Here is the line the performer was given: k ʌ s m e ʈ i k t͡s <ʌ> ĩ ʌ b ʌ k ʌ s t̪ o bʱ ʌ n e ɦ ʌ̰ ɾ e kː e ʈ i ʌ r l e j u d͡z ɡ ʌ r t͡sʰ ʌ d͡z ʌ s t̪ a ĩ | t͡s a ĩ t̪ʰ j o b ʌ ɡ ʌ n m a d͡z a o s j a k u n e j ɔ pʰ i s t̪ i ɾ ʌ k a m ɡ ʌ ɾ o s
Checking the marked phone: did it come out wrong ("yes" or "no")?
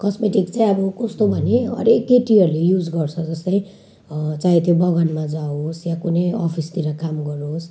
yes